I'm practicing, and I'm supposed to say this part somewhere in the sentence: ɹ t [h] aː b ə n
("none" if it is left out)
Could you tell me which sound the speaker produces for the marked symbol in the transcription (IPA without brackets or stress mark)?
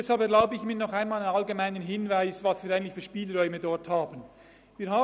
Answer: h